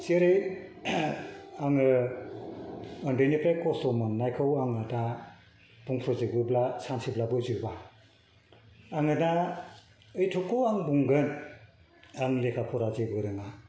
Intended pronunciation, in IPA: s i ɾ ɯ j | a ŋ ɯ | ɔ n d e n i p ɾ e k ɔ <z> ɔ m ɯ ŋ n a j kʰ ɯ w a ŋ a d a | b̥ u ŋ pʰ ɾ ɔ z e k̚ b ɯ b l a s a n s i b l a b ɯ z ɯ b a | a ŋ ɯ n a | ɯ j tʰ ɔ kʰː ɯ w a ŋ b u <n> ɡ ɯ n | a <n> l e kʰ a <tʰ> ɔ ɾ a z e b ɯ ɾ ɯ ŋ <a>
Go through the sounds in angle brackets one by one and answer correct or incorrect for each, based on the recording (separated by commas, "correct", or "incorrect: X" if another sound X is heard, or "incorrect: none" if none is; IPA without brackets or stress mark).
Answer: incorrect: s, incorrect: ŋ, incorrect: ŋ, incorrect: pʰ, correct